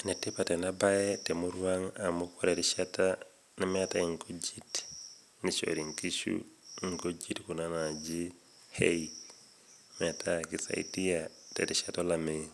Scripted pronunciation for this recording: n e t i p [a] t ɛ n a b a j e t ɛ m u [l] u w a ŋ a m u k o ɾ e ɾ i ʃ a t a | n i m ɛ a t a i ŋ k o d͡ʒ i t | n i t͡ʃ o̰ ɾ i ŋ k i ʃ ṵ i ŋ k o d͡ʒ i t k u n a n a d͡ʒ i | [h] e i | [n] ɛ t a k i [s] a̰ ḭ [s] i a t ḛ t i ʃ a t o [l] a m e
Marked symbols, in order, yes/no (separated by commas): yes, no, yes, no, yes, no, yes